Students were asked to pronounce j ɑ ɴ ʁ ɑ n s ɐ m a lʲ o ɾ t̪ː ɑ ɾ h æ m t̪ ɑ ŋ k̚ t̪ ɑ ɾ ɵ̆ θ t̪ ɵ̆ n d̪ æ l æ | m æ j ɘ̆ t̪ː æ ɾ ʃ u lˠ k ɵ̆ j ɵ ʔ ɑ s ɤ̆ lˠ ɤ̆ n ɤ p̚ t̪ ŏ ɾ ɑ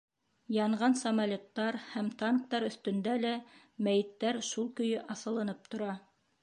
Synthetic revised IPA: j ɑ ɴ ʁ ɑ n s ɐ m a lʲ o t̪ː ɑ ɾ h æ m t̪ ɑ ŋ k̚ t̪ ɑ ɾ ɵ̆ θ t̪ ɵ̆ n d̪ æ l æ | m æ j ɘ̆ t̪ː æ ɾ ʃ u lˠ k ɵ̆ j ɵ ʔ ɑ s ɤ̆ lˠ ɤ̆ n ɤ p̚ t̪ ŏ ɾ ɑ